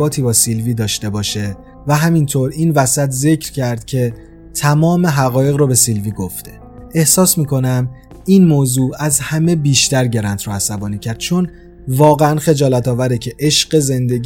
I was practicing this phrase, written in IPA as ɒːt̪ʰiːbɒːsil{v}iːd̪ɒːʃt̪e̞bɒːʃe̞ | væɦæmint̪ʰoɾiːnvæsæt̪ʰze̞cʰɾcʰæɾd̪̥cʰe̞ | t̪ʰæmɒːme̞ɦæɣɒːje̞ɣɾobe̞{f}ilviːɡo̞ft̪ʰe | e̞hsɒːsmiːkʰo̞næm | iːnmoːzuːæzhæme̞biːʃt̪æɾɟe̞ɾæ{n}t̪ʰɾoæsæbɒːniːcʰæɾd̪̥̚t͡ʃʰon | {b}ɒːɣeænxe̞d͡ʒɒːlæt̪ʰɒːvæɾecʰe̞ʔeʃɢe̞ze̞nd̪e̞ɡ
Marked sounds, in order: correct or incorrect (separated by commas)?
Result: correct, incorrect, correct, incorrect